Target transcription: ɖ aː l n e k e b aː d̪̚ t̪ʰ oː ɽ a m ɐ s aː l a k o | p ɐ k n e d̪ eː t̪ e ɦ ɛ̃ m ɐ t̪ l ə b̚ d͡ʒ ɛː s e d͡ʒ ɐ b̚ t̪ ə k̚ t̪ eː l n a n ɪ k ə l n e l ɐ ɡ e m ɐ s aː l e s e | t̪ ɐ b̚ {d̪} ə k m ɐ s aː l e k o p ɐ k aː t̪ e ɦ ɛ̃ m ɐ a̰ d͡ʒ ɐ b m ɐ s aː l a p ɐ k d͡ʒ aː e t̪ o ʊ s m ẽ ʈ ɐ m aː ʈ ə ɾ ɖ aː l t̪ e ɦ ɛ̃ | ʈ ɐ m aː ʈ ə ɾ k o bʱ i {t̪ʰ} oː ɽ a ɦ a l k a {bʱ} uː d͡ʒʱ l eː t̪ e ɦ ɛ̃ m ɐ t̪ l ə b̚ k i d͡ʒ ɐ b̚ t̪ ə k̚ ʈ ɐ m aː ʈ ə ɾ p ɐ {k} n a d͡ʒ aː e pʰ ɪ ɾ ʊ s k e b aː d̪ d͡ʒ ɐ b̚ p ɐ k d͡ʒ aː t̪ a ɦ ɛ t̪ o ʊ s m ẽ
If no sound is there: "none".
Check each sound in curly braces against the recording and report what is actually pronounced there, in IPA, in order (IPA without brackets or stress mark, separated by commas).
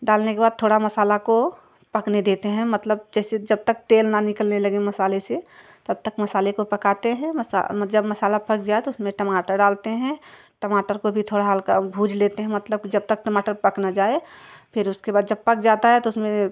t̪, t̪ʰ, bʱ, k